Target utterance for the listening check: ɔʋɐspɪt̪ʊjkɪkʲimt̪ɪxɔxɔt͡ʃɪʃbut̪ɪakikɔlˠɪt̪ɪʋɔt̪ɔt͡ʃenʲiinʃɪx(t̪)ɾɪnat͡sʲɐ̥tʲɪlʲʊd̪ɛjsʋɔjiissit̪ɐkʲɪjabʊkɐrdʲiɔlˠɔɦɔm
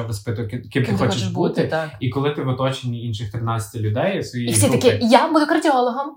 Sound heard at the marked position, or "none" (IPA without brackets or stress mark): t̪